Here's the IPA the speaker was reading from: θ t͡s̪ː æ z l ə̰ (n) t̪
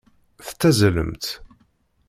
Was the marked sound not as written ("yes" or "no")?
yes